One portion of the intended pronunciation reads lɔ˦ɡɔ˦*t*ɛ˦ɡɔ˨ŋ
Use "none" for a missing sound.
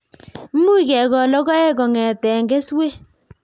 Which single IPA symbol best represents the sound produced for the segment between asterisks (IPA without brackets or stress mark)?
none